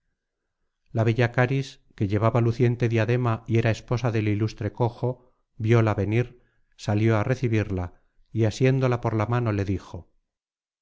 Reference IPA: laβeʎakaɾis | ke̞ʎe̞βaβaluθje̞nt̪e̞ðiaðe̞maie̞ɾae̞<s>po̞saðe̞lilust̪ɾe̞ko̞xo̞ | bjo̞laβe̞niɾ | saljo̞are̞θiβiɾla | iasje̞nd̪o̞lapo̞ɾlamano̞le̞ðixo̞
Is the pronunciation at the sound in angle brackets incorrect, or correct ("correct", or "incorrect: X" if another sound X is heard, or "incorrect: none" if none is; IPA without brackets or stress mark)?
correct